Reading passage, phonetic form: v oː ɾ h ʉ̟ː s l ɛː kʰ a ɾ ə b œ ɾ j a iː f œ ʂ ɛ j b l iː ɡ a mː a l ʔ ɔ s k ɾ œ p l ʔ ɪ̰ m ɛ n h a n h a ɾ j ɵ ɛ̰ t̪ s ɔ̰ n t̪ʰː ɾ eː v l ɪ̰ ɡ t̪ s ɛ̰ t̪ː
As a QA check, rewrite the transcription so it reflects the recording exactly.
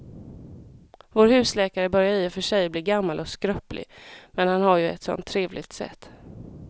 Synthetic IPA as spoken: v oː ɾ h ʉ̟ː s l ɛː k a ɾ ə b œ ɾ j a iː f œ ʂ ɛ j b l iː ɡ a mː a l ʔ ɔ s k ɾ œ p l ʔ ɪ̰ m ɛ n h a n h a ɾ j ɵ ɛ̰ t̪ s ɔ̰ n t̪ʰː ɾ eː v l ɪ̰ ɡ t̪ s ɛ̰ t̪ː

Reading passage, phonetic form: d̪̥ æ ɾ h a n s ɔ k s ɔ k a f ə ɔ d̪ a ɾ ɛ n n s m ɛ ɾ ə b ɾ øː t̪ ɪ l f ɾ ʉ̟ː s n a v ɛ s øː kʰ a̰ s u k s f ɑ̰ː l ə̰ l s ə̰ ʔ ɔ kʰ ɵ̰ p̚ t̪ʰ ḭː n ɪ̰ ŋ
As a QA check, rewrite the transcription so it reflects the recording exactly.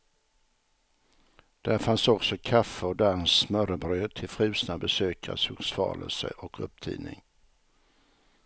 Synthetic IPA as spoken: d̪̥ æ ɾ f a n s ɔ k s ɔ kʰ a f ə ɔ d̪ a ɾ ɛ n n s m œ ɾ ə b ɾ øː t̪ʰ ɪ l f ɾ ʉ̟ː s n a b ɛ s øː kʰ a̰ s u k s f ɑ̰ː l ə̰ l s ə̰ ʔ ɔ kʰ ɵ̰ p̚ t̪ʰ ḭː n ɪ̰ ŋ

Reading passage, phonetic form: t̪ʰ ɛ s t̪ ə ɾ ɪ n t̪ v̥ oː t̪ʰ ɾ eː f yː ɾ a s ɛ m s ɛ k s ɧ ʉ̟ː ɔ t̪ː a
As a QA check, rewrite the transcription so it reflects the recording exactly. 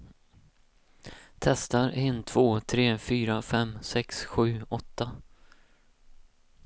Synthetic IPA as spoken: t̪ʰ ɛ s t̪ a ɾ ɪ n t̪ʰ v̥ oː t̪ʰ ɾ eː f yː ɾ a f ɛ m s ɛ k s ɧ ʉ̟ː ɔ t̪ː a

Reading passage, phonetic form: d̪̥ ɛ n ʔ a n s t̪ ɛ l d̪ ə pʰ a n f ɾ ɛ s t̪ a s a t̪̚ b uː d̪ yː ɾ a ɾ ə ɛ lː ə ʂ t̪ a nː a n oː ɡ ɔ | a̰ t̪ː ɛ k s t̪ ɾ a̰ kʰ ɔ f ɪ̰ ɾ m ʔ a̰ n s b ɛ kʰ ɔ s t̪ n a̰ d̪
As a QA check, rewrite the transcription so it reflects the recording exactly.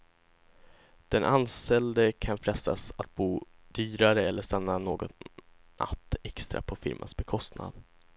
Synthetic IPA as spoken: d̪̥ ɛ n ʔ a n s t̪ ɛ l d̪ ə kʰ a n f ɾ ɛ s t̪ a s a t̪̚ b uː d̪ yː ɾ a ɾ ə ɛ lː ə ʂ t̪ a nː a n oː ɡ ɔ | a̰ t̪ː ɛ k s t̪ ɾ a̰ pʰ ɔ f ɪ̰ ɾ m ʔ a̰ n s b ɛ kʰ ɔ s t̪ n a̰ d̪

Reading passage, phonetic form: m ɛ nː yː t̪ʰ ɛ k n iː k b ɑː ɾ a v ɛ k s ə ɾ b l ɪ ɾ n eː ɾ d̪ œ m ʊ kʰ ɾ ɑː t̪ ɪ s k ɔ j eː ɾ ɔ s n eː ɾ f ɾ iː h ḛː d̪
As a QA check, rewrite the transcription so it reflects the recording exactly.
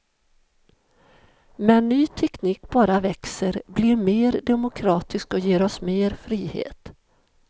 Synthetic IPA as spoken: m ɛ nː yː t̪ʰ ɛ k n iː k b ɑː ɾ a v ɛ k s ə ɾ b l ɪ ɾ m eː ɾ d̪ ɛ m ʊ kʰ ɾ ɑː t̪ ɪ s k ɔ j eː ɾ ɔ s m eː ɾ f ɾ iː h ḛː t̪

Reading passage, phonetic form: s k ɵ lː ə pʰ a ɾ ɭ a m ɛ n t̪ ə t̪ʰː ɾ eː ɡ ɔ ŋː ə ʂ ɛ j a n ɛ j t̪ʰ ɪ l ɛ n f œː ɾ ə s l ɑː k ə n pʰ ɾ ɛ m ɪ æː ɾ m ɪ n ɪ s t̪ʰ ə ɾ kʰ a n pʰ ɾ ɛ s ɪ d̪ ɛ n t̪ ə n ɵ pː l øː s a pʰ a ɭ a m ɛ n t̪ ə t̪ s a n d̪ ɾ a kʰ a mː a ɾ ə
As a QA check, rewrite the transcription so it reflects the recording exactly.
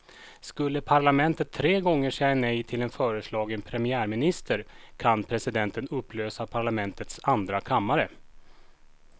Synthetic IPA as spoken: s k ɵ lː ə pʰ a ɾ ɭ a m ɛ n t̪ ə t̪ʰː ɾ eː ɡ ɔ ŋː ə ʂ ɛ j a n ɛ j t̪ʰ ɪ l ɛ n f œː ɾ ə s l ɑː ɡ ə n pʰ ɾ ɛ m ɪ æː ɾ m ɪ n ɪ s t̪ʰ ə ɾ kʰ a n pʰ ɾ ɛ s ɪ d̪ ɛ n t̪ ə n ɵ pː l øː s a pʰ a ɭ a m ɛ n t̪ ə t̪ s a n d̪ ɾ a kʰ a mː a ɾ ə

